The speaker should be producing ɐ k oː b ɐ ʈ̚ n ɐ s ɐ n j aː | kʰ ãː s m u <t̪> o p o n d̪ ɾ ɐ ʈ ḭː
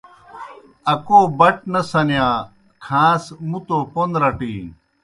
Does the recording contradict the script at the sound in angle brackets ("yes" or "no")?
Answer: no